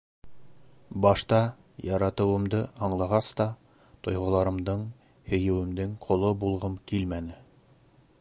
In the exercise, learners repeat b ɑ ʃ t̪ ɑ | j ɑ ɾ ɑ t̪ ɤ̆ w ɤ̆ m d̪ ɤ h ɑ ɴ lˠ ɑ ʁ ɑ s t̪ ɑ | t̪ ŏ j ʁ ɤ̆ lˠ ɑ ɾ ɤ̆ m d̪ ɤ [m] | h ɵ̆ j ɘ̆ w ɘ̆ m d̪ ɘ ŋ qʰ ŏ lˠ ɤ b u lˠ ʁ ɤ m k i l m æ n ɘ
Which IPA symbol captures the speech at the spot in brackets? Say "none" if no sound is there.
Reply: ɴ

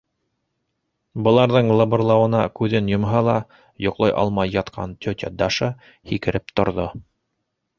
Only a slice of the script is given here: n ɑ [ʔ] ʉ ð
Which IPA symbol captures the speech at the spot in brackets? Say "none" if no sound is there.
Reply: k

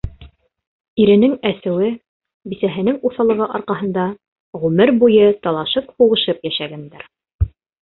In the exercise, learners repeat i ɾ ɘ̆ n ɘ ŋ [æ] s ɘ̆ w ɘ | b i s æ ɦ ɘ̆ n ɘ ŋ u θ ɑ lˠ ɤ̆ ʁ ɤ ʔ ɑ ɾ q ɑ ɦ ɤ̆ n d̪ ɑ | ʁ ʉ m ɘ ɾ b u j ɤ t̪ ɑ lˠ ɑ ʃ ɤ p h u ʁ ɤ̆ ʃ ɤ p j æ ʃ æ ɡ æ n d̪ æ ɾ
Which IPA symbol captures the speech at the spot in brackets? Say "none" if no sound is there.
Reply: æ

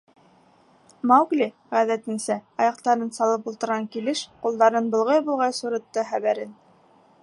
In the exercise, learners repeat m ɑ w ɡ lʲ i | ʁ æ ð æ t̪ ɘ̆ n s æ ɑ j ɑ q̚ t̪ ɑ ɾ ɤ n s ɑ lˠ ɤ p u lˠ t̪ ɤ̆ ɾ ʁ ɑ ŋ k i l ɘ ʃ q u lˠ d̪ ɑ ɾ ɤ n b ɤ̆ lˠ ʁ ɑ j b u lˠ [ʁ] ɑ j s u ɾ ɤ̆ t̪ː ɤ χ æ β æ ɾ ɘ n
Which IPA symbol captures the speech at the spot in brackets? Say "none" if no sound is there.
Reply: ʁ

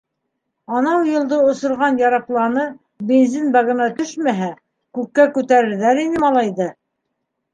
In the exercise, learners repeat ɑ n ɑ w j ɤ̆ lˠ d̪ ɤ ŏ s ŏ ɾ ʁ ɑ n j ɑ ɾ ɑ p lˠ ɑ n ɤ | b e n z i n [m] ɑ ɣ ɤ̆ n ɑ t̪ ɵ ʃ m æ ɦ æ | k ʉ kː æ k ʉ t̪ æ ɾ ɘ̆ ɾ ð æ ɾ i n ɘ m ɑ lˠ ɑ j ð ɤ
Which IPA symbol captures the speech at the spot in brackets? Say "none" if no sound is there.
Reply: b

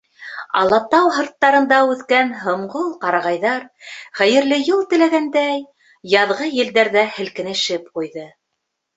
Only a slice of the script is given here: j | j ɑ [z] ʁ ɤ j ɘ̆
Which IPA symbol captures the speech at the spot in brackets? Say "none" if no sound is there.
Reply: ð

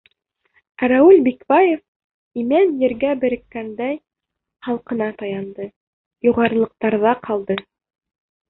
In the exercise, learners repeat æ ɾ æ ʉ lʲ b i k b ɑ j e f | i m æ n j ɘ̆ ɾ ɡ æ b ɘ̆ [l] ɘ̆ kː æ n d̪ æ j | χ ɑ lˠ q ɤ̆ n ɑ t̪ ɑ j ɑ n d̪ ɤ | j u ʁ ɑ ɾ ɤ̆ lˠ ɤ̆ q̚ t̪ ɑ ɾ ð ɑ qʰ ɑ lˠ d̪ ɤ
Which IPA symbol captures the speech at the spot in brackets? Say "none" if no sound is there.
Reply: ɾ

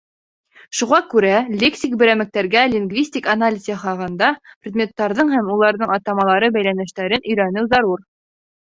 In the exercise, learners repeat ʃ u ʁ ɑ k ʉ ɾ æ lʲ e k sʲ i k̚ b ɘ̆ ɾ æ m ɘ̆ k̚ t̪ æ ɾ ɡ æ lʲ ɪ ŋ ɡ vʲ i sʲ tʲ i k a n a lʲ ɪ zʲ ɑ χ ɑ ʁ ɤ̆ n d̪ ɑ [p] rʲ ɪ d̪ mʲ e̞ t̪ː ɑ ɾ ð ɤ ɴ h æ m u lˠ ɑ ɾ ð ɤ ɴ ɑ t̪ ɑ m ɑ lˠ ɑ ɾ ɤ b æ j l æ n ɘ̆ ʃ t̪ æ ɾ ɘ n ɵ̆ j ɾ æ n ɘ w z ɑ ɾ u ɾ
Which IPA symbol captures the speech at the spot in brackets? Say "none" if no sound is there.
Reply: p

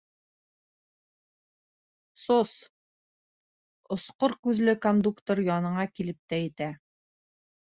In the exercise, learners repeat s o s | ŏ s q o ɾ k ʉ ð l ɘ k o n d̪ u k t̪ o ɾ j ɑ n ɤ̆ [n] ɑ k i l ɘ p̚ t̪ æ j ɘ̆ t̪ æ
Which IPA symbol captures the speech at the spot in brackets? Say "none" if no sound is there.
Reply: ɴ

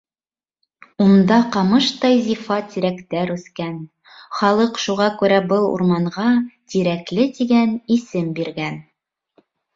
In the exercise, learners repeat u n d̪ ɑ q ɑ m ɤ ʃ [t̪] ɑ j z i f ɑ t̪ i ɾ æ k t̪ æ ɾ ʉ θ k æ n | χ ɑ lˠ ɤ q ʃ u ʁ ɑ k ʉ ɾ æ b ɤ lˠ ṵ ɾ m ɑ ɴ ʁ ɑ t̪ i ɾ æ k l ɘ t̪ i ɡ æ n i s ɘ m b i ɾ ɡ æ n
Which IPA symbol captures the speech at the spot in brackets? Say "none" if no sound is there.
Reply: t̪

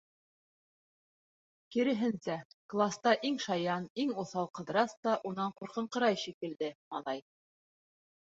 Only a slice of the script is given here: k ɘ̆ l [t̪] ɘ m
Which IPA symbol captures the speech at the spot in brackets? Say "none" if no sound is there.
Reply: d̪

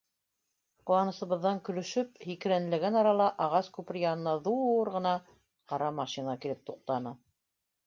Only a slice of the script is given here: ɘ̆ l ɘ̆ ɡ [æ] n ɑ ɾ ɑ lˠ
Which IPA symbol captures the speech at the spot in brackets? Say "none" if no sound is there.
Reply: æ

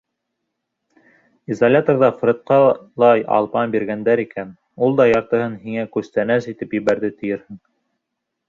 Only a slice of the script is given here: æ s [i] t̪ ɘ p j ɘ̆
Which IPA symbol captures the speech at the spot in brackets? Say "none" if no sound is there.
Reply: i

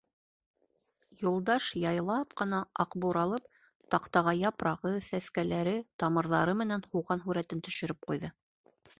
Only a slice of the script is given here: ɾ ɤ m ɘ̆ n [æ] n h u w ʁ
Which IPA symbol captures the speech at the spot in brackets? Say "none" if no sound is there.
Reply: æ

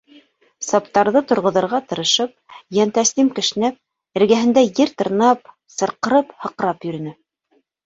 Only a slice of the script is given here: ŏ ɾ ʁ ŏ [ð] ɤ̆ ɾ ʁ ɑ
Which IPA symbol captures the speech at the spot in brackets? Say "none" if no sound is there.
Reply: ð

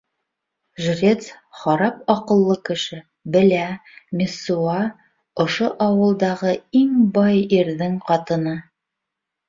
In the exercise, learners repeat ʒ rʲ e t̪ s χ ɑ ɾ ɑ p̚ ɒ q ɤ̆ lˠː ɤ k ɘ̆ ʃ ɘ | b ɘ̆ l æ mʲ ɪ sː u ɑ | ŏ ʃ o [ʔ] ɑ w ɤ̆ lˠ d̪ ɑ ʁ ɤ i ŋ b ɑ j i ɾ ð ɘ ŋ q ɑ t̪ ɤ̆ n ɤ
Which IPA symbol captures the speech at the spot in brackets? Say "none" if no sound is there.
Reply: ʔ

